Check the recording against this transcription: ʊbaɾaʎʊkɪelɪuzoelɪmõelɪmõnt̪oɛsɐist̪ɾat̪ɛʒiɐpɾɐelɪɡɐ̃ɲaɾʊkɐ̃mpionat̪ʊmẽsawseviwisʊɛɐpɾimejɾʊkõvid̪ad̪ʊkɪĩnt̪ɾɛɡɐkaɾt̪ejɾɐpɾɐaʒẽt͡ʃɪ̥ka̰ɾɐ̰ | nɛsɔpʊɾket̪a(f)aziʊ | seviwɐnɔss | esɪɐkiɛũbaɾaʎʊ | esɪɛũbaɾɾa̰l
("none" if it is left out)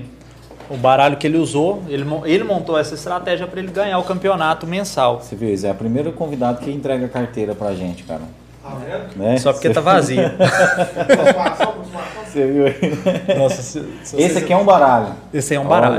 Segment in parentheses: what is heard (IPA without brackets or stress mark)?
v